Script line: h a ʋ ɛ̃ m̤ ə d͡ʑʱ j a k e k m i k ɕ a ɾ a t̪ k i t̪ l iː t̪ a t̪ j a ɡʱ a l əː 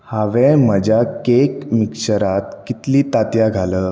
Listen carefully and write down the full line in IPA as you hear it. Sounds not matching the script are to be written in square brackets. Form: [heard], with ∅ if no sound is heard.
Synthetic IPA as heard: h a ʋ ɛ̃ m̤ ə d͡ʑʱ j a k e k m i k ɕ [ə] ɾ a t̪ k i t̪ l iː t̪ a t̪ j a ɡʱ a l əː